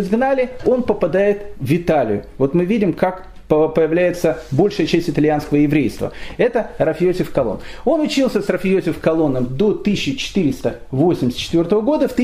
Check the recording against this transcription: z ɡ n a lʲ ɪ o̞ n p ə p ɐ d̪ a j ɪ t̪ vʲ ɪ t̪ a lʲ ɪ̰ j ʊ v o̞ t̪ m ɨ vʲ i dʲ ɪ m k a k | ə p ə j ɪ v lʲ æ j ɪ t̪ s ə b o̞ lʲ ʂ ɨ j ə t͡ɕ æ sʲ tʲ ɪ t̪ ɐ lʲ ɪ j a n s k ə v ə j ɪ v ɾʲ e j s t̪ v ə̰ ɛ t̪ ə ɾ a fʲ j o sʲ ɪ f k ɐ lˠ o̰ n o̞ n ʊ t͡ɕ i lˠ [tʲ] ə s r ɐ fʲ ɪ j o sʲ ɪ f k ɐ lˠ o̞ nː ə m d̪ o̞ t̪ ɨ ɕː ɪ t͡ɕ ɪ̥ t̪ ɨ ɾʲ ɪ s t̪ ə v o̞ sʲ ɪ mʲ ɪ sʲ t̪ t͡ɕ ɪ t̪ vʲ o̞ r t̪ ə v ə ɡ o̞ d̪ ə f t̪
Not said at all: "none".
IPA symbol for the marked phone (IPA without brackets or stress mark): sʲ